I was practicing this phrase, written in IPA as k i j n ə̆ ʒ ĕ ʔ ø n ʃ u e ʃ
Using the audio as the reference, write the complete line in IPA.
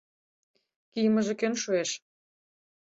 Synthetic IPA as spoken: k i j m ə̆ ʒ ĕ k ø n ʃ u e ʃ

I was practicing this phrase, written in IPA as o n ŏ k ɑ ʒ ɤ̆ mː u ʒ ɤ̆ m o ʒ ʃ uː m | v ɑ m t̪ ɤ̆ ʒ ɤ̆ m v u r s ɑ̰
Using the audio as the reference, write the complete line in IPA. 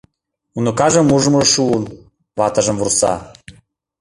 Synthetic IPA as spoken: u n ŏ k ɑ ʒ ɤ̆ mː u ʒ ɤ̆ m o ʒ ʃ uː n | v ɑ t̪ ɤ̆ ʒ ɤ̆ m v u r s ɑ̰

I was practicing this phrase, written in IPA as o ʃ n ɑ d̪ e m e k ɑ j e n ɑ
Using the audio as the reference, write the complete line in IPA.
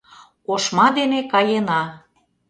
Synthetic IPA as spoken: o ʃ m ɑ d̪ e n e k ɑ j e n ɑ

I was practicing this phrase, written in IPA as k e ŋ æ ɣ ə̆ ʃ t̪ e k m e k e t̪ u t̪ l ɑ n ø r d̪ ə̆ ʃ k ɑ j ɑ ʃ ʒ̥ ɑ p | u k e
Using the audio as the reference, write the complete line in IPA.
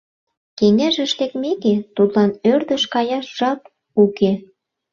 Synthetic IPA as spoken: k e ŋ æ ʒ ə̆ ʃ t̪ e k m e k e t̪ u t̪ l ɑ n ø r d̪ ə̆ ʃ k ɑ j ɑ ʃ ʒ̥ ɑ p | u k e

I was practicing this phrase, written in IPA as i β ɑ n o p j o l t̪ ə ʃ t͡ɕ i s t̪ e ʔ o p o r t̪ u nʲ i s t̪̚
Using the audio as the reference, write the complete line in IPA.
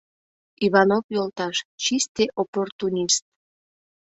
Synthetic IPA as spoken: i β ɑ n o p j o l t̪ ɑ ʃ t͡ɕ i s t̪ e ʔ o p o r t̪ u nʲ i s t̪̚

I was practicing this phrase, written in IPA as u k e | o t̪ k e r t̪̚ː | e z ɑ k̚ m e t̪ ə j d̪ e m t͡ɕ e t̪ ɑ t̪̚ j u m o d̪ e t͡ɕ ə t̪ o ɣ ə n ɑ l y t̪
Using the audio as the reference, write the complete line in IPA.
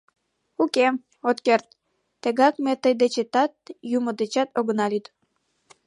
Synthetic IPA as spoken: u k e | o t̪ k e r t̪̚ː | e ɣ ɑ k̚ m e t̪ ə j d̪ e t͡ɕ e t̪ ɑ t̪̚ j u m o d̪ e t͡ɕ ɑ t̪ o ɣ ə n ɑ l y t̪

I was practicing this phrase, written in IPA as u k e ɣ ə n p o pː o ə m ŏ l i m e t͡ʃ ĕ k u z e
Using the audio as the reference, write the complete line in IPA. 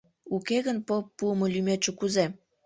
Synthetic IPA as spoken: u k e ɣ ə n p o pː u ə m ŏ l y m e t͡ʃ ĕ k u z e

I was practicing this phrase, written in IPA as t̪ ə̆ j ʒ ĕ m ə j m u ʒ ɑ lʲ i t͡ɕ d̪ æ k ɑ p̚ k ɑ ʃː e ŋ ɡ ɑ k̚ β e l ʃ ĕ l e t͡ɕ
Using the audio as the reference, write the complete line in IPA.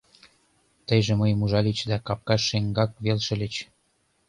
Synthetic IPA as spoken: t̪ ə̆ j ʒ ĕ m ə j m u ʒ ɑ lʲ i t͡ɕ d̪ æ k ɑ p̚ k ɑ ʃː e ŋ ɡ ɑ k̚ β e l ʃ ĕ l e t͡ɕ

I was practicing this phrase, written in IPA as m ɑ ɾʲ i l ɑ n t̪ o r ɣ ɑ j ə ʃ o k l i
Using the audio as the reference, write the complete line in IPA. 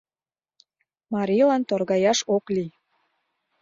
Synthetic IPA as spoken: m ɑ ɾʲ i l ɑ n t̪ o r ɣ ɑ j ɑ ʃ o k l i

